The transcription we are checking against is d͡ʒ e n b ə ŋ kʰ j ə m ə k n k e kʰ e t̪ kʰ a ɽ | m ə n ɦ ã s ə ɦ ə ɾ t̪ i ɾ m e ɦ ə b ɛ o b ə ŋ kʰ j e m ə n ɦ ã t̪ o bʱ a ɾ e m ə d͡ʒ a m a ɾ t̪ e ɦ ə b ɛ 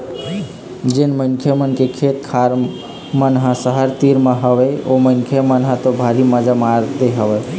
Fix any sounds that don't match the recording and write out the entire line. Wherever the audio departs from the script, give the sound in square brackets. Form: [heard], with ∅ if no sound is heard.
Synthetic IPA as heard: d͡ʒ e n [m] ə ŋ kʰ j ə m ə [∅] n k e kʰ e t̪ kʰ a [ɾ] | m ə n ɦ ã s ə ɦ ə ɾ t̪ i ɾ m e ɦ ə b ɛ o [m] ə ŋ kʰ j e m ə n ɦ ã t̪ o bʱ a ɾ [i] m ə d͡ʒ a m a ɾ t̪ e ɦ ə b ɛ